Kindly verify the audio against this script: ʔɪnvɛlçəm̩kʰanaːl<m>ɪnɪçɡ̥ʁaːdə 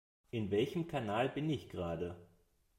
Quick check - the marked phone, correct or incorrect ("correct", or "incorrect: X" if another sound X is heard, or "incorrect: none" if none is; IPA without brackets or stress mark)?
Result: incorrect: b